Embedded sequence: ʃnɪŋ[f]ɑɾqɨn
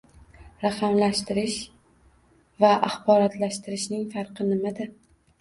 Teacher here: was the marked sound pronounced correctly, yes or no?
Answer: yes